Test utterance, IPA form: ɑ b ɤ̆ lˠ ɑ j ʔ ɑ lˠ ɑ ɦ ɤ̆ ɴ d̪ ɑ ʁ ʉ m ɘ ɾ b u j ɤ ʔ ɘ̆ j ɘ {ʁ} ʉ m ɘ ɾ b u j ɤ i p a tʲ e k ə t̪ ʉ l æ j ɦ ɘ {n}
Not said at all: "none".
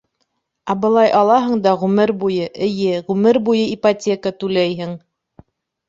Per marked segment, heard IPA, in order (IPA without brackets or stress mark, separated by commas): ʁ, ŋ